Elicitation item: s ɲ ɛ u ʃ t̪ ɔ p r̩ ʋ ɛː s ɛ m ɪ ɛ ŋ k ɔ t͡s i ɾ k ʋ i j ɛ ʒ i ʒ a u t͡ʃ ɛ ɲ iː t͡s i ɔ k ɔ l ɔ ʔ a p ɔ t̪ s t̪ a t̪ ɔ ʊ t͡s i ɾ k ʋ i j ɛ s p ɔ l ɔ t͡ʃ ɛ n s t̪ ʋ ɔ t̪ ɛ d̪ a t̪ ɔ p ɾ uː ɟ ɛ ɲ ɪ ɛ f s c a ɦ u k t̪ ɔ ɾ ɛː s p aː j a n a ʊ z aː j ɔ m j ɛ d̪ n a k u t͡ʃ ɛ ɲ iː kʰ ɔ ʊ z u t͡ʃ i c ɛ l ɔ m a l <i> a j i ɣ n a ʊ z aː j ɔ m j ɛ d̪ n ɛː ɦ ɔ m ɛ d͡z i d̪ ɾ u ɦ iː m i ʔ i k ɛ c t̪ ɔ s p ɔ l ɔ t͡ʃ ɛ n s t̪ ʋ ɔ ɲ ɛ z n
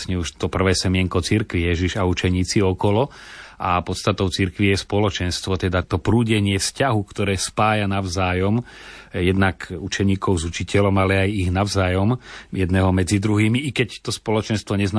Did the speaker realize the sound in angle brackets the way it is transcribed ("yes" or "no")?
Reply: no